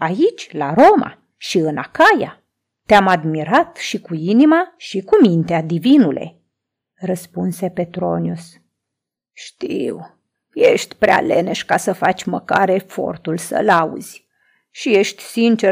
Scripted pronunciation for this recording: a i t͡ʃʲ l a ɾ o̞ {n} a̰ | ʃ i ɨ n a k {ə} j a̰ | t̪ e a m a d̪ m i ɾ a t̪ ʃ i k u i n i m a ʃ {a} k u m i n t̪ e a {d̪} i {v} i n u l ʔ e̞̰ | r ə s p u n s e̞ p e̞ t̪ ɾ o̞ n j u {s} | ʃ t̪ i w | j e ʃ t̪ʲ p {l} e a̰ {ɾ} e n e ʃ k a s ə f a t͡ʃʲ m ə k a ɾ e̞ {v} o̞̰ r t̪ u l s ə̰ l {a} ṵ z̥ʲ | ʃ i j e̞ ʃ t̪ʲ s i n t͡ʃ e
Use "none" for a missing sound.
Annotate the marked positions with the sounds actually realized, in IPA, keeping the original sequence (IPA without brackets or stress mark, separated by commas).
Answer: m, a, i, d̪, v, s, ɾ, l, f, a